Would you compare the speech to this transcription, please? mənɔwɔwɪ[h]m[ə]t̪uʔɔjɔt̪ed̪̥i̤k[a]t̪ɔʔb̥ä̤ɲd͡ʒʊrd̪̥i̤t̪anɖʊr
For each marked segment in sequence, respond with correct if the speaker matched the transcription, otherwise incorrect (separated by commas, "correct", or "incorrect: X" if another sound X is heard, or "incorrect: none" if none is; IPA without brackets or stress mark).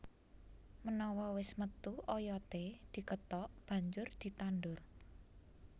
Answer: incorrect: s, correct, incorrect: ə